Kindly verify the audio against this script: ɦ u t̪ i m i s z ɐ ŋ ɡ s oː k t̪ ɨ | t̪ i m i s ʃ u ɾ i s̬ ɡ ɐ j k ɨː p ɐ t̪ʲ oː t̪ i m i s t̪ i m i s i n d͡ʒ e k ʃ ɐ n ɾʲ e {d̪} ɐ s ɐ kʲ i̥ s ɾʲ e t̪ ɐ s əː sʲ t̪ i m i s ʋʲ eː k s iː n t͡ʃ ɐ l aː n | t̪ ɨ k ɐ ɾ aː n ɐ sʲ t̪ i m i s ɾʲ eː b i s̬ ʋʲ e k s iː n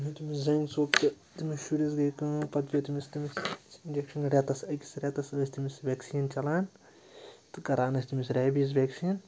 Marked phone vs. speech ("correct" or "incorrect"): incorrect